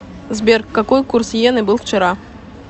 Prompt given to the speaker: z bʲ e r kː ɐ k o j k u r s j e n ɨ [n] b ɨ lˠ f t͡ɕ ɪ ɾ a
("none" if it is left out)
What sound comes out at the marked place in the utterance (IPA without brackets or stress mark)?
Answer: none